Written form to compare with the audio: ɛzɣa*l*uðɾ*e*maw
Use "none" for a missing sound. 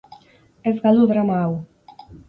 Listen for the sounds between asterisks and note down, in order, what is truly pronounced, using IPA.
l, a

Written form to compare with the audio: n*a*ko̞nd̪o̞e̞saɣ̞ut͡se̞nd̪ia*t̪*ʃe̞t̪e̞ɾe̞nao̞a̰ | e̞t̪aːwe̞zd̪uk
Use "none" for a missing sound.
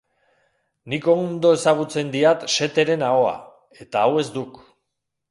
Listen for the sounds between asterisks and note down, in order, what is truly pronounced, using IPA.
i, t̪

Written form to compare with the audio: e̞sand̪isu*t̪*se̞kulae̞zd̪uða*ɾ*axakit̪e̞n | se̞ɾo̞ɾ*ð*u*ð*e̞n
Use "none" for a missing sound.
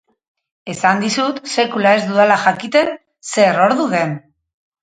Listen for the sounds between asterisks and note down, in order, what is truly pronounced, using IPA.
t̪, l, ð, ð

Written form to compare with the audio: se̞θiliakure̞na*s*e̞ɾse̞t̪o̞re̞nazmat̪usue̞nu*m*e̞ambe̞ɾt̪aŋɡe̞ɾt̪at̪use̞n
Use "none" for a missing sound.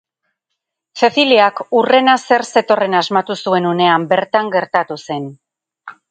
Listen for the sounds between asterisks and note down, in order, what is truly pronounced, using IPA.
s, n

